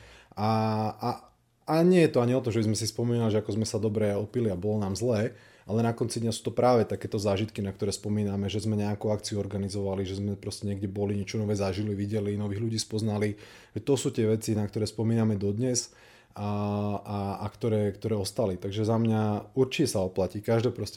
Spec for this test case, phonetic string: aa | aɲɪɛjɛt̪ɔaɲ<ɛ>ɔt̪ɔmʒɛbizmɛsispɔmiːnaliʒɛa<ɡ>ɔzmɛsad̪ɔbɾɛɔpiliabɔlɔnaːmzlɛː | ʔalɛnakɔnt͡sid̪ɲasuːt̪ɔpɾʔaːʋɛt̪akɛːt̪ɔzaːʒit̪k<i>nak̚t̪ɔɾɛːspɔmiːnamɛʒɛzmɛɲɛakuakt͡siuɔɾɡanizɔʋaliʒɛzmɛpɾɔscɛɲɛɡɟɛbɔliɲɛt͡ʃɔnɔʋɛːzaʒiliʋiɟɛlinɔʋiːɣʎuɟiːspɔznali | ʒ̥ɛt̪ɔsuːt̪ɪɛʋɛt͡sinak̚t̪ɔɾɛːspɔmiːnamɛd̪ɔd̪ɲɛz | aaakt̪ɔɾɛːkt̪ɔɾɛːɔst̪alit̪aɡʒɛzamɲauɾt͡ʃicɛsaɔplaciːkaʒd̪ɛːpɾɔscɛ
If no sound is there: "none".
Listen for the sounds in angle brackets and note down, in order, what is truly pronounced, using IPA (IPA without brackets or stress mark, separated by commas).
i, k, i